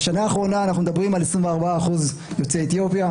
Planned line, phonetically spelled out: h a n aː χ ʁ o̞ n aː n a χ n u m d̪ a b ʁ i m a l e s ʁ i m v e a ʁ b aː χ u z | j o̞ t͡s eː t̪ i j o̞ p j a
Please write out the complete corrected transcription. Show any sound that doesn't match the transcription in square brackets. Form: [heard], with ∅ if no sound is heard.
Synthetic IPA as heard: [ʃ] a n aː χ ʁ o̞ n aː n a χ n u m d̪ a b ʁ i m a l e s ʁ i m v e a ʁ b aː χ u z | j o̞ t͡s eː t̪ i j o̞ p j a